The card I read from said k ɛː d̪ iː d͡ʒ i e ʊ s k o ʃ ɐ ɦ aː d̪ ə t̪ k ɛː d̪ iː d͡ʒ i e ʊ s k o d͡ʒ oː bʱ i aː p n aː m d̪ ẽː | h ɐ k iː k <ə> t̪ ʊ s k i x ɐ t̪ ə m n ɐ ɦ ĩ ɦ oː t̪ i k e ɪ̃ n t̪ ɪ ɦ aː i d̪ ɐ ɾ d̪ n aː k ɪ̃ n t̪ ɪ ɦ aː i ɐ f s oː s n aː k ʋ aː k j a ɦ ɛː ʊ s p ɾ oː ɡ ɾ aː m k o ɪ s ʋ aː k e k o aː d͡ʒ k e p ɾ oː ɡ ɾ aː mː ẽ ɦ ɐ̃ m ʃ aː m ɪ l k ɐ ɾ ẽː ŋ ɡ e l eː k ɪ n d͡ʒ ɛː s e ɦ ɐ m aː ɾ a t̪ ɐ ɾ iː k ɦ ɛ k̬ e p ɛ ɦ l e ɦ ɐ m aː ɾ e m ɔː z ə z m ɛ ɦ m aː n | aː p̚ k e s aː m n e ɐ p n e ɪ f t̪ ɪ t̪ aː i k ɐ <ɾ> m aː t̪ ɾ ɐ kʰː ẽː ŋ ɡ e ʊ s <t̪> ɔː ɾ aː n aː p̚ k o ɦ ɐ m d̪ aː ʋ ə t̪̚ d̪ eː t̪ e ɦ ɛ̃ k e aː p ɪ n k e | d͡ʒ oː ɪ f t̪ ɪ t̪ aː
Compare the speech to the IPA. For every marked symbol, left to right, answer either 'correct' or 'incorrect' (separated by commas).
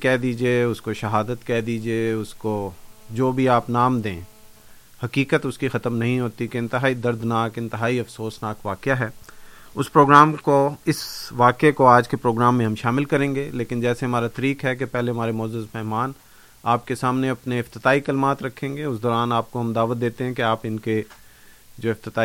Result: correct, incorrect, incorrect